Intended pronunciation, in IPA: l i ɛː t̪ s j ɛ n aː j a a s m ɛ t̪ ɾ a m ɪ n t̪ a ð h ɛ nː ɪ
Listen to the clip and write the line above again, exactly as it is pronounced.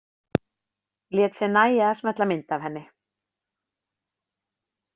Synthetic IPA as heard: l j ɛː t̪ s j ɛ n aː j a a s m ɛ t̪ l a m ɪ n t̪ a v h ɛ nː ɪ